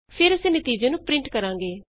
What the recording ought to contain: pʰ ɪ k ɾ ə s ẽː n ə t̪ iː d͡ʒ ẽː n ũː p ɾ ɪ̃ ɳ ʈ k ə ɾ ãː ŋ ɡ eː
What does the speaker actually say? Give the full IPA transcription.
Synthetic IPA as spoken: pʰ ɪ ɾ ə s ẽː n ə t̪ iː d͡ʒ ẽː n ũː p ɾ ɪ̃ ɳ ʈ k ə ɾ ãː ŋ ɡ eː